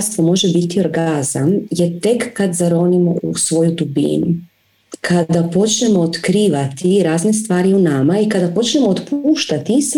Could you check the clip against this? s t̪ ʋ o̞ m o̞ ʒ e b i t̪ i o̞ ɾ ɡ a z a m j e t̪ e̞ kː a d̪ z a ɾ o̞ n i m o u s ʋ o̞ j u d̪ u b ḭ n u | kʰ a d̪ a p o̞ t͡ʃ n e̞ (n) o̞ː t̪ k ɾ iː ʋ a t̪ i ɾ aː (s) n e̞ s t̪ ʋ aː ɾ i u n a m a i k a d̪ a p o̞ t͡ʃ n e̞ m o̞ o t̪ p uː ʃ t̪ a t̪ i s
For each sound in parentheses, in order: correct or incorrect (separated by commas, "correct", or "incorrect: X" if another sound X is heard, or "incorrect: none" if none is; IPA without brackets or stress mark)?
incorrect: m, incorrect: z